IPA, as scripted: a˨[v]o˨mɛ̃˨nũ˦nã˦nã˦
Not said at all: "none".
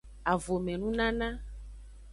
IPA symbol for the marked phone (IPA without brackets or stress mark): v